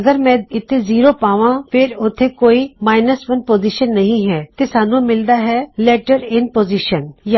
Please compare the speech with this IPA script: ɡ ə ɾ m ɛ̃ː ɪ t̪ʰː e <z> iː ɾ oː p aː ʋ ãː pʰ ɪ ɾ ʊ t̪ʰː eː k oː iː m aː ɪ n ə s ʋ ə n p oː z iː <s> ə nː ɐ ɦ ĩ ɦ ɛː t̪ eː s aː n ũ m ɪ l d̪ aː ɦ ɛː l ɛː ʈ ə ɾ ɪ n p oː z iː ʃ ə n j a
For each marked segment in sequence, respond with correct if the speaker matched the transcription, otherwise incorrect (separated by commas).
correct, incorrect